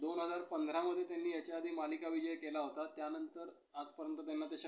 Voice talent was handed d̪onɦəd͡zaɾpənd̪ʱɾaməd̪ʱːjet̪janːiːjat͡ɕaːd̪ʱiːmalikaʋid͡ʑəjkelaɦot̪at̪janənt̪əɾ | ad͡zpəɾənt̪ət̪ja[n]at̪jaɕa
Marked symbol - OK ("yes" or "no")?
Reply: no